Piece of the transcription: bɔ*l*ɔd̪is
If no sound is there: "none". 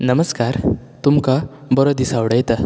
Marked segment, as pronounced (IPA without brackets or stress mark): ɾ